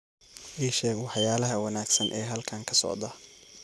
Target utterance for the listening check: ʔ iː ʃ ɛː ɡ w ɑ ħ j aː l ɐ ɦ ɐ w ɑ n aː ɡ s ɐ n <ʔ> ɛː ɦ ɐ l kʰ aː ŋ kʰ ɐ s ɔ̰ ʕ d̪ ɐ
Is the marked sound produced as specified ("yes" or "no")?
yes